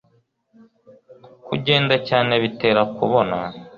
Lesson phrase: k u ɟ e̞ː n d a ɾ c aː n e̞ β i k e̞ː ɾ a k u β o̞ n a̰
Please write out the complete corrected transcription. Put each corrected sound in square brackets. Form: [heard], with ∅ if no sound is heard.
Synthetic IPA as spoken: k u ɟ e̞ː n d a [∅] c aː n e̞ β i [t] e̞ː ɾ a k u β o̞ n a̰